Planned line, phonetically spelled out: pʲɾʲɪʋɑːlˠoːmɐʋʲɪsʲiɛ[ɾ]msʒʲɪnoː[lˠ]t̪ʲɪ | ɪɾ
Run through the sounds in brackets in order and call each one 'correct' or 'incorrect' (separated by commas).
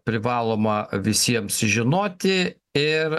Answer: incorrect, incorrect